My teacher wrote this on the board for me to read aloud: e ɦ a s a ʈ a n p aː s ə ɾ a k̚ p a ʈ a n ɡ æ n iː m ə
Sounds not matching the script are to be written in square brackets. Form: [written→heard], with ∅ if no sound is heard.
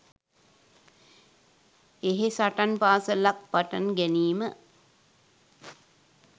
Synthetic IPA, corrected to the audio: e ɦ [a→e] s a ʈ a n p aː s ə [ɾ→l] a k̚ p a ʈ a n ɡ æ n iː m ə